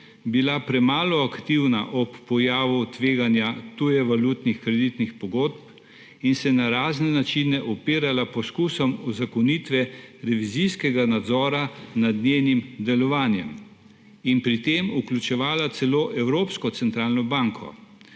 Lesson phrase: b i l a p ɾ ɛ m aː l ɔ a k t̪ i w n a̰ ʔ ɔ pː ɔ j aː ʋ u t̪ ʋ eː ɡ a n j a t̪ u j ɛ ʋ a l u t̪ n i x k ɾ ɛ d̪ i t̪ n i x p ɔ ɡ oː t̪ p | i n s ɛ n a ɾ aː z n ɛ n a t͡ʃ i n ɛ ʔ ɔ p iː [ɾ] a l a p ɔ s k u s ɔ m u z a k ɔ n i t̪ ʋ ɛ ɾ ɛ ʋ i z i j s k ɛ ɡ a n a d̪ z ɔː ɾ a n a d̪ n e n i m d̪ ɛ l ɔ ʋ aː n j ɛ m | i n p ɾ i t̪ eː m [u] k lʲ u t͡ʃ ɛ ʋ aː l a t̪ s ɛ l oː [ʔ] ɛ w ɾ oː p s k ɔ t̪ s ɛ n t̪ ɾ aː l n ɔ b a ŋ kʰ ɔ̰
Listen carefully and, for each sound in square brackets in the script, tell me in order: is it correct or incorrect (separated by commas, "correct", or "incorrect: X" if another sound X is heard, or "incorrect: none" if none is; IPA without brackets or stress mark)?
correct, correct, correct